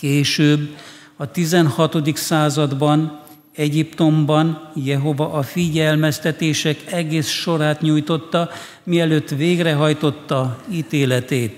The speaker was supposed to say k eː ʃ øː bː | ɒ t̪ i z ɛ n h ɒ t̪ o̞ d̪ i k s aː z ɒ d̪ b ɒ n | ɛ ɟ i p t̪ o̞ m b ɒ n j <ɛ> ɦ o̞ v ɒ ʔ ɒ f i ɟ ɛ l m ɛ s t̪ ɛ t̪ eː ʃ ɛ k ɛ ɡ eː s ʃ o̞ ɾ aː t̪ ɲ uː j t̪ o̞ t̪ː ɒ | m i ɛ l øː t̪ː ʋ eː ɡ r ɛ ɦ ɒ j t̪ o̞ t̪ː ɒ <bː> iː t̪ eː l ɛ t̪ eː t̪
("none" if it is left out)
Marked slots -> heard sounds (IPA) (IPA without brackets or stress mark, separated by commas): ɛ, none